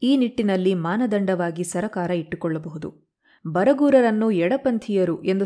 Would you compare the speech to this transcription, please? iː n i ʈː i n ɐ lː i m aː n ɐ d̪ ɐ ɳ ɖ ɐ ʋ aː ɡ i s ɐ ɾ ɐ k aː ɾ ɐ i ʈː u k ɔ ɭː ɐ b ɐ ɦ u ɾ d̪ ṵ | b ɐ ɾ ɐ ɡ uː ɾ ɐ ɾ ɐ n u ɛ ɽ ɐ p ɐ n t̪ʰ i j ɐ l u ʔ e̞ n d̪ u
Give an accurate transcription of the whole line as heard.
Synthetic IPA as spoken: iː n i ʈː i n ɐ lː i m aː n ɐ d̪ ɐ ɳ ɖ ɐ ʋ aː ɡ i s ɐ ɾ ɐ k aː ɾ ɐ i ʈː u k ɔ ɭː ɐ b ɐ ɦ u d̪ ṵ | b ɐ ɾ ɐ ɡ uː ɾ ɐ ɾ ɐ nː u ɛ ɽ ɐ p ɐ n t̪ʰ i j ɐ ɾ u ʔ e̞ n d̪ u